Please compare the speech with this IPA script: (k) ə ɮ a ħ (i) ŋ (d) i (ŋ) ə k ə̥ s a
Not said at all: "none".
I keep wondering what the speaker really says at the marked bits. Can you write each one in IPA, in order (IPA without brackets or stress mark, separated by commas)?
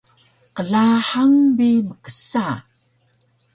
q, a, b, m